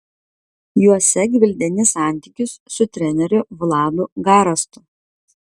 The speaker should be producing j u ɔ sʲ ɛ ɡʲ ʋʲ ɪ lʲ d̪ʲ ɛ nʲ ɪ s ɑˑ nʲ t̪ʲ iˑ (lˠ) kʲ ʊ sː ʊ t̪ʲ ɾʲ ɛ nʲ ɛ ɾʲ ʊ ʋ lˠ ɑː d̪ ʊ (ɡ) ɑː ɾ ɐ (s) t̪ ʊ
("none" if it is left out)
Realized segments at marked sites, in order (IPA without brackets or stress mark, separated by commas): none, ɡ, s